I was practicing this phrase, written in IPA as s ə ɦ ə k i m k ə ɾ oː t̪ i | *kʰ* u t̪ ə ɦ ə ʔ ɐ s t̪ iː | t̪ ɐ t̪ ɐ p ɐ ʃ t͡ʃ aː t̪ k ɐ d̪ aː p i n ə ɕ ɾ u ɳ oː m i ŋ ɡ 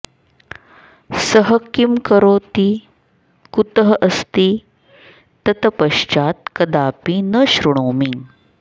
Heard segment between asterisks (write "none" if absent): k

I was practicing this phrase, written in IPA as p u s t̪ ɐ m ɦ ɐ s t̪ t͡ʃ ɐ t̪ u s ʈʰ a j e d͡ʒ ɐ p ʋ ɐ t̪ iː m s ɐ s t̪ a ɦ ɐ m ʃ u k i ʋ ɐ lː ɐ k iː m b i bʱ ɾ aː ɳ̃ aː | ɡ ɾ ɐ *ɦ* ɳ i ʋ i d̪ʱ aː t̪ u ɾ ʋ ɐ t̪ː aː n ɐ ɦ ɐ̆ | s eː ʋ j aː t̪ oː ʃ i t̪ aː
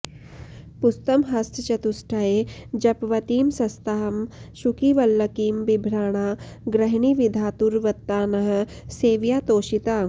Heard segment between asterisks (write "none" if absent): ɦ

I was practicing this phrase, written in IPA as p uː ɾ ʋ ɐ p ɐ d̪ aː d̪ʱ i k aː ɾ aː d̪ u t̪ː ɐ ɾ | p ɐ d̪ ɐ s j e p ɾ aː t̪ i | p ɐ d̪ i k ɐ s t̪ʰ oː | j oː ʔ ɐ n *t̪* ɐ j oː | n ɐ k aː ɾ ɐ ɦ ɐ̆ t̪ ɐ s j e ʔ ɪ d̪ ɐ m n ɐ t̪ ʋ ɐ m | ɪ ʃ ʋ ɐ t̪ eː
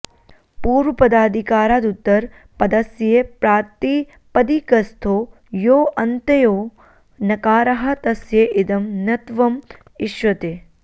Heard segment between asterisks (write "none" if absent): t̪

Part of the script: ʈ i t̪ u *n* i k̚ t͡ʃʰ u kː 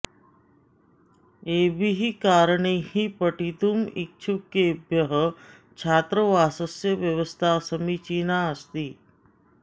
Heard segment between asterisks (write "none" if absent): m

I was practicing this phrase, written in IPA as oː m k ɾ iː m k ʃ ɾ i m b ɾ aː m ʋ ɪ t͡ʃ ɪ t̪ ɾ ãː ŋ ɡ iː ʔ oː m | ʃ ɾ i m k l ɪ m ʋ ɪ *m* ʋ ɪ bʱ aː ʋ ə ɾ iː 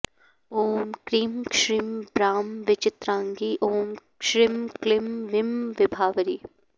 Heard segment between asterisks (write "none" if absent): m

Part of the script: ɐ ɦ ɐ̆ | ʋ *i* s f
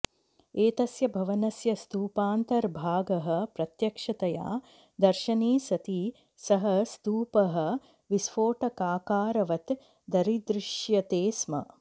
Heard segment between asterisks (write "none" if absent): i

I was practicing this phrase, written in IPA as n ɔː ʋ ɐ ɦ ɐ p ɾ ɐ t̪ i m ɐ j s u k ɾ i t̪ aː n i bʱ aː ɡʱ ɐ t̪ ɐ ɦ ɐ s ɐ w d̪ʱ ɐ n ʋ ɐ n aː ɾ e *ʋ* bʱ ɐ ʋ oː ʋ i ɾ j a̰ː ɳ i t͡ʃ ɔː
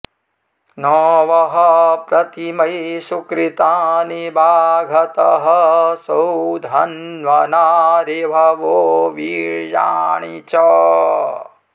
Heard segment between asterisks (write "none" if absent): none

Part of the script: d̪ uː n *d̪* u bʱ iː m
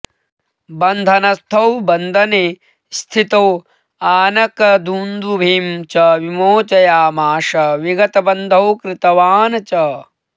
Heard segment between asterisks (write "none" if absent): d̪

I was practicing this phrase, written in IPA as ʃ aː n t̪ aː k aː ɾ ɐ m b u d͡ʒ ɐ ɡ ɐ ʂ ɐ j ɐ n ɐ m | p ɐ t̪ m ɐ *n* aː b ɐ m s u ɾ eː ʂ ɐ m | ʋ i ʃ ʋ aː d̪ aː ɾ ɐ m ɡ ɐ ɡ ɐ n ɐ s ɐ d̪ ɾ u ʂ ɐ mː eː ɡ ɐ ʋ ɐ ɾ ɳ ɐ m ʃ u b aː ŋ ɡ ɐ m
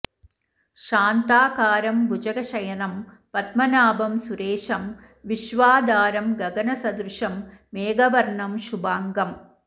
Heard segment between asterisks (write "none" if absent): n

